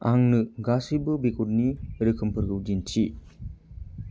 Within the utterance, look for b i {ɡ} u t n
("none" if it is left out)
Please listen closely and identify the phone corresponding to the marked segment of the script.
k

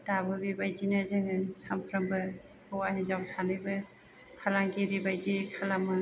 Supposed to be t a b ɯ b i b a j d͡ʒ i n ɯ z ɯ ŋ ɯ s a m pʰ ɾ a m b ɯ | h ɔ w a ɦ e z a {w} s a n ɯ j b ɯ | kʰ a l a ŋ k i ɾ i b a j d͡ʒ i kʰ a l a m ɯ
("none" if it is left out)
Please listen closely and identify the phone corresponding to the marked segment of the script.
w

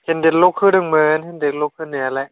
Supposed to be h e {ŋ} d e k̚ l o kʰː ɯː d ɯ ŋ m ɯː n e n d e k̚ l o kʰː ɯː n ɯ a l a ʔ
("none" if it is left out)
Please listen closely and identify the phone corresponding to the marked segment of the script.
n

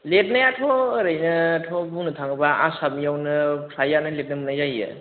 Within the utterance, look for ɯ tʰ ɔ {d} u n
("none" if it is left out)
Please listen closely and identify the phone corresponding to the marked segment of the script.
b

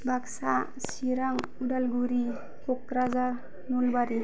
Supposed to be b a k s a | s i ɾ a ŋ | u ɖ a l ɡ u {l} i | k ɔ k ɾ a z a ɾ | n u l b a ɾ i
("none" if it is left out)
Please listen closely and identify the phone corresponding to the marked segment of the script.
ɾ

